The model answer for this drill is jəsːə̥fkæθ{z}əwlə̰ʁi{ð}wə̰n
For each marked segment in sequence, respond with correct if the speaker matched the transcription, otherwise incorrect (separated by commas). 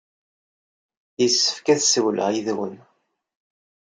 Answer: incorrect, correct